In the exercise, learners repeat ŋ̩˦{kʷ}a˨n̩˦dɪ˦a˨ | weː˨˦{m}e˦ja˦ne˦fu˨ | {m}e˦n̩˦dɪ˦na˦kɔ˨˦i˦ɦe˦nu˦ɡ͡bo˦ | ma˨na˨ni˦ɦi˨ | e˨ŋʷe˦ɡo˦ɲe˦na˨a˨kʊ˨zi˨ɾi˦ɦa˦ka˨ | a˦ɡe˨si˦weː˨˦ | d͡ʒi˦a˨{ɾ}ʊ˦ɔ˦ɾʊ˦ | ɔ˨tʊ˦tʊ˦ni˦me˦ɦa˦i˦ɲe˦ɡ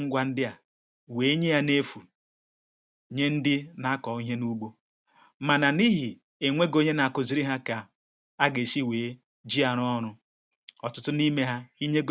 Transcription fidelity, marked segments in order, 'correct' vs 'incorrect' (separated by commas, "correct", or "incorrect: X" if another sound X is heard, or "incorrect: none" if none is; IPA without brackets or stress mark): incorrect: ɡʷ, incorrect: ɲ, incorrect: ɲ, correct